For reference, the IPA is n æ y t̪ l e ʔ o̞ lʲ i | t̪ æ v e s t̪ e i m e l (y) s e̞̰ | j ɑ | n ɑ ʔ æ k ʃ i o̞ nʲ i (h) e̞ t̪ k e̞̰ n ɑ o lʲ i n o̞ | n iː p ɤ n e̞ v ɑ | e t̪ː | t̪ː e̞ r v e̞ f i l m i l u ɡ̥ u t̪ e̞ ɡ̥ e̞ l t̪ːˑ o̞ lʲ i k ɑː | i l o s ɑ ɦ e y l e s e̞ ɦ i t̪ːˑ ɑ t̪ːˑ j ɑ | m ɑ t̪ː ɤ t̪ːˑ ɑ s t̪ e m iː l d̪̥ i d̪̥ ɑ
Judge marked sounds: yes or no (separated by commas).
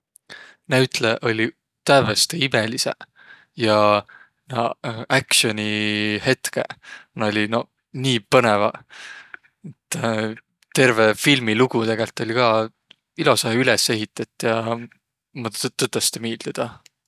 no, yes